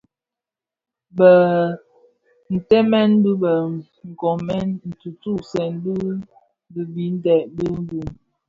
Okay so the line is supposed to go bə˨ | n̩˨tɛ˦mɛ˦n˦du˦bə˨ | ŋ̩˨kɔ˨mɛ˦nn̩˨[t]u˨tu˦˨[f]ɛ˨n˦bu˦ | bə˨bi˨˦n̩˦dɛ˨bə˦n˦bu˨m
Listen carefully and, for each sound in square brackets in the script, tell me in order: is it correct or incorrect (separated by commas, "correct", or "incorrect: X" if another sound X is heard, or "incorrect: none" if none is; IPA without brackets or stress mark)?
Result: correct, incorrect: s